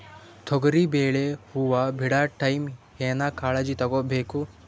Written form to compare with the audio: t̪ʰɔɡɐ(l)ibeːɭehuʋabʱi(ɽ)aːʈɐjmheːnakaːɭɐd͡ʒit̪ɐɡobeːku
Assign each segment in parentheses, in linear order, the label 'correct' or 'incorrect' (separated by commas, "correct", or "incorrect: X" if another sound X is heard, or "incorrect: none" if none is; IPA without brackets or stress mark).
incorrect: ɾ, correct